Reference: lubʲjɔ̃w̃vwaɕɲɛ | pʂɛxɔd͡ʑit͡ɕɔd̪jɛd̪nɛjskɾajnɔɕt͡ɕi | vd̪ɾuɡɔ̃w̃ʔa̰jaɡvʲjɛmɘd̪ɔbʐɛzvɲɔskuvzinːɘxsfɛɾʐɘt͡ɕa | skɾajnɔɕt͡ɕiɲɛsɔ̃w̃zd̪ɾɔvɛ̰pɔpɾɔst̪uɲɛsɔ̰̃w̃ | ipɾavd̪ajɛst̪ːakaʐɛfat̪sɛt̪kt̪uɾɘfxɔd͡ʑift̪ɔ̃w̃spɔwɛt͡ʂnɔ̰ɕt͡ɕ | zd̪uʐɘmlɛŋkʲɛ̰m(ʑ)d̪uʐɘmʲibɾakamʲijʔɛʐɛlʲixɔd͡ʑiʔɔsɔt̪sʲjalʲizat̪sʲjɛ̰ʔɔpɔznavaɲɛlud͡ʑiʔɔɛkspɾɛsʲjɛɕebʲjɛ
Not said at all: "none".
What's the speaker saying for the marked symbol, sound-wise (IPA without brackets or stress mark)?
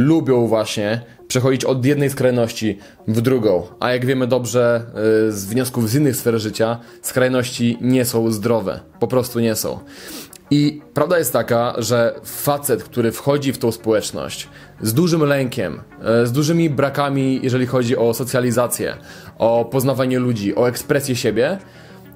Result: z